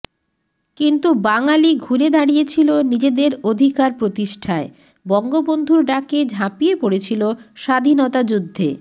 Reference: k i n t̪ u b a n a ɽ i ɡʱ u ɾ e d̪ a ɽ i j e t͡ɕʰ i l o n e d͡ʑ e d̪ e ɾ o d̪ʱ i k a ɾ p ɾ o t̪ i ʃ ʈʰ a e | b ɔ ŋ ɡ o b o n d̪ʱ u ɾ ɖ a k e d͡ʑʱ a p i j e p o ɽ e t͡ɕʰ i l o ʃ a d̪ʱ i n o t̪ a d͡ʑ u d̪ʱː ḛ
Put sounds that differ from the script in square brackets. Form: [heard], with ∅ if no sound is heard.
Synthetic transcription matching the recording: k i n t̪ u b a [ŋ] a [l] i ɡʱ u ɾ e d̪ a ɽ i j e t͡ɕʰ i l o n [i] d͡ʑ e d̪ e ɾ o d̪ʱ i k a ɾ p ɾ o t̪ i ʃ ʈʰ a e | b ɔ ŋ ɡ o b o n d̪ʱ u ɾ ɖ a k e d͡ʑʱ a p i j e p o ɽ e t͡ɕʰ i l o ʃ a d̪ʱ i n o t̪ a d͡ʑ u d̪ʱː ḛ